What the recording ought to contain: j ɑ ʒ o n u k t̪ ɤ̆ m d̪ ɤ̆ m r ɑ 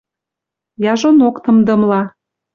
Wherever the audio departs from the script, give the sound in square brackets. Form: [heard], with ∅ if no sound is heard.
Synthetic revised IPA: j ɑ ʒ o n [o] k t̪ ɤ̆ m d̪ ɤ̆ m [l] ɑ